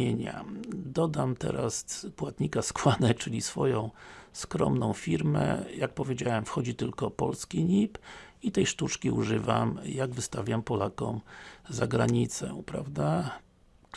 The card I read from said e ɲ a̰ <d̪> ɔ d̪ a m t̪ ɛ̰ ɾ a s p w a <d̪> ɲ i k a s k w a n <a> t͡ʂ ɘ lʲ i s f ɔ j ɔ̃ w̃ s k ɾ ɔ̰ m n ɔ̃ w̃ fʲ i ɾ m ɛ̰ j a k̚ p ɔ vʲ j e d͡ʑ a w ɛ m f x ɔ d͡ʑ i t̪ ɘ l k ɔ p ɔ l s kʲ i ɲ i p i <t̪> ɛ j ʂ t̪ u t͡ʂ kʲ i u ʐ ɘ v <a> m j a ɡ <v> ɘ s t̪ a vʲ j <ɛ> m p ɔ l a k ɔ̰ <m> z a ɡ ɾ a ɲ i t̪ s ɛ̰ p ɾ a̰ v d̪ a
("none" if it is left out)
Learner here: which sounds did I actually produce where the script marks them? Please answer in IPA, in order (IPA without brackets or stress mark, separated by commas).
d̪, t̪, ɛ, t̪, a, v, a, m